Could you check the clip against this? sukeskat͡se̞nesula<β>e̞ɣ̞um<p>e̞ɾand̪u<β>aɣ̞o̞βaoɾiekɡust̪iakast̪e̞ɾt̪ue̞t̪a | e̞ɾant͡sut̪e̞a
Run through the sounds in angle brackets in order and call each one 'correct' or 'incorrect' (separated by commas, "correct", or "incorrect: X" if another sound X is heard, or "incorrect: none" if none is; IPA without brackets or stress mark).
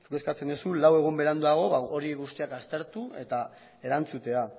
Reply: incorrect: w, incorrect: b, incorrect: none